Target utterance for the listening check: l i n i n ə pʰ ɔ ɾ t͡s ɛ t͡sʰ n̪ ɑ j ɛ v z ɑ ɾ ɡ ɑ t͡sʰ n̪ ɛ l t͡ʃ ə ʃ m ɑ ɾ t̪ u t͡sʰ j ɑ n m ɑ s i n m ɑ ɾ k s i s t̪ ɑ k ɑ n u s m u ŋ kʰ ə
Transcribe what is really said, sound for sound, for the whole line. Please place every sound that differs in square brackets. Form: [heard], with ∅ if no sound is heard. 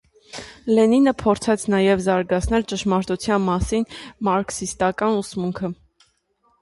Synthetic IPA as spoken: l [ɛ] n i n ə pʰ ɔ ɾ [t͡sʰ] ɛ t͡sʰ n̪ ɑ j ɛ v z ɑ ɾ ɡ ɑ t͡sʰ n̪ ɛ l t͡ʃ ə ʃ m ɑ ɾ t̪ u t͡sʰ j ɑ n m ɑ s i n m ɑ ɾ k s i s t̪ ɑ k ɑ n u s m u ŋ kʰ ə